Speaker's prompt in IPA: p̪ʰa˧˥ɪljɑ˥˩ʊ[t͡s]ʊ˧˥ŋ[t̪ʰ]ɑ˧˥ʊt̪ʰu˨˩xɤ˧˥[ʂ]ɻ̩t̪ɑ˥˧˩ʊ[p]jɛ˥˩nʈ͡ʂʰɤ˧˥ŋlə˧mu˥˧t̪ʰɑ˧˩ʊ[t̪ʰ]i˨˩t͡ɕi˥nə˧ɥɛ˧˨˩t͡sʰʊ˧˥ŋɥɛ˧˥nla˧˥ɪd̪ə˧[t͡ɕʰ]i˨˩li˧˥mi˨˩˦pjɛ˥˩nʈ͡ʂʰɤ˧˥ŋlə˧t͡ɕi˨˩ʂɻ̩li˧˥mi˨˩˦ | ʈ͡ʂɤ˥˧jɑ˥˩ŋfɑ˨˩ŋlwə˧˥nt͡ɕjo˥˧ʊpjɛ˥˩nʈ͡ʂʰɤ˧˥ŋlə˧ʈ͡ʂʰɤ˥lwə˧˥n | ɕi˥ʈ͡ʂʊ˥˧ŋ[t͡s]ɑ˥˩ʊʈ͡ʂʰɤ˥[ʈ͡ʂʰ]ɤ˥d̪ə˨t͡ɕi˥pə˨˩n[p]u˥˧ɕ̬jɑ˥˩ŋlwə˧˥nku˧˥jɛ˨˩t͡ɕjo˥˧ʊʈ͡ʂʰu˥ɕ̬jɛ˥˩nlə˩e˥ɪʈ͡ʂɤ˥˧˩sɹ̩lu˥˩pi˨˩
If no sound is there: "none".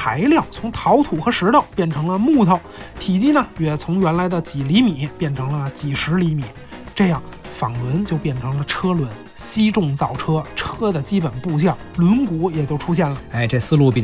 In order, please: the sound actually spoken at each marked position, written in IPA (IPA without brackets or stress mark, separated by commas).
t͡sʰ, t̪ʰ, ʂ, p, t̪ʰ, t͡ɕ, t͡s, ʈ͡ʂʰ, p